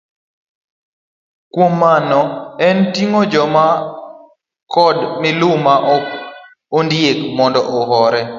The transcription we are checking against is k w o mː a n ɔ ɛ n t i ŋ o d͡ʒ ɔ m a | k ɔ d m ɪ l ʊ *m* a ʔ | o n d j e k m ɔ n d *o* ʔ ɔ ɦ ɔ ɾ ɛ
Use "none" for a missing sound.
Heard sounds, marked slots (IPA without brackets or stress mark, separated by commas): m, ɔ